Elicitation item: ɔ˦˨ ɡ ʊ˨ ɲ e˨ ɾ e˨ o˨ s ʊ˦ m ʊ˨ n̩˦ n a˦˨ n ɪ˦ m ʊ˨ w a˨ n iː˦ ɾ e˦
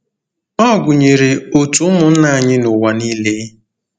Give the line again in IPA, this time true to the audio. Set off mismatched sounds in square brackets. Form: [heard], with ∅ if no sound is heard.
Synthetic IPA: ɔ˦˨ ɡ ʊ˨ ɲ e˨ ɾ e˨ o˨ [t] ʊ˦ m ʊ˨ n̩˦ n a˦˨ [ɲ] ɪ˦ [n] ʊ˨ w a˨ n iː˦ [l] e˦